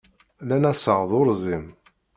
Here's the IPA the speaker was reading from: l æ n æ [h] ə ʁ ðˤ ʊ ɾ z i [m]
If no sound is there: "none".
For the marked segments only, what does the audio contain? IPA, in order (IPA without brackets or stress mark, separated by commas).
s, m